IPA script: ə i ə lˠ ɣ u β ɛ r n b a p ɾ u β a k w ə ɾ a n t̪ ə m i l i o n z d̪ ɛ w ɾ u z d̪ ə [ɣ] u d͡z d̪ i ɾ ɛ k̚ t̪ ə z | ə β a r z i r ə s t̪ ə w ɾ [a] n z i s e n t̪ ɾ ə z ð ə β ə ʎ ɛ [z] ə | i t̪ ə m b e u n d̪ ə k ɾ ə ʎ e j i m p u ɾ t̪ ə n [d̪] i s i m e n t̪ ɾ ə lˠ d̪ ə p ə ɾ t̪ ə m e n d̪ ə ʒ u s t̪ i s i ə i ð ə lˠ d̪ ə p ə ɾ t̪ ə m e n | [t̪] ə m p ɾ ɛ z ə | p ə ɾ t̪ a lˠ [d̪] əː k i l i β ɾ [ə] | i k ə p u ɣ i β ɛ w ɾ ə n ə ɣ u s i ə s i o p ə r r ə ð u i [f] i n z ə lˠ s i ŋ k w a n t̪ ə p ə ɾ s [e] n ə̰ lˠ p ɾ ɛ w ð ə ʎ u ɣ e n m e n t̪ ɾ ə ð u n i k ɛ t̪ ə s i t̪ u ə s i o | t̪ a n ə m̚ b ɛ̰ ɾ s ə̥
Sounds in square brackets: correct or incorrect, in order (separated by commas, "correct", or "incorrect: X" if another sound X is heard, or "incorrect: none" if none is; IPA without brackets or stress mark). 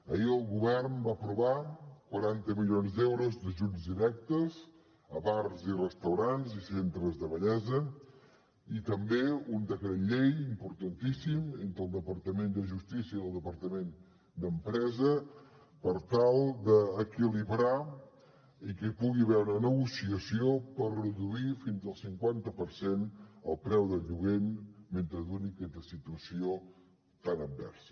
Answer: incorrect: ʒ, correct, correct, incorrect: t̪, incorrect: d̪, correct, incorrect: a, correct, correct